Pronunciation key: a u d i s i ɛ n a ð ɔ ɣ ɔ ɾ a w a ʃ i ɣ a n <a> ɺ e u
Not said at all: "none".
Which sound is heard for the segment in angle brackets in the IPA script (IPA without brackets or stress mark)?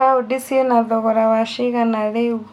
a